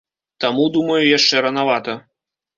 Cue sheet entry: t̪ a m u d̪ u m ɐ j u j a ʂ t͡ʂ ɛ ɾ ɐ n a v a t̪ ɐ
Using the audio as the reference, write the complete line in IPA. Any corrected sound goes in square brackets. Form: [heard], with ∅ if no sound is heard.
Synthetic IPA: t̪ a m u d̪ u m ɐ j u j a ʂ t͡ʂ ɛ ɾ ɐ n a v a t̪ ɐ